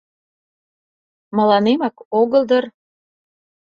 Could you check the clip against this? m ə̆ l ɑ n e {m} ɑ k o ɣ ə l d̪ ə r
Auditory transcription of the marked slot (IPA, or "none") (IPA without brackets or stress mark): m